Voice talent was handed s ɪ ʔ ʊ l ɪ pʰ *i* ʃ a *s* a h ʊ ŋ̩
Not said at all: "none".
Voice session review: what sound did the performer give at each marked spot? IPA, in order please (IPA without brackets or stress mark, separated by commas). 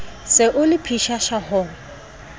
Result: i, ʃ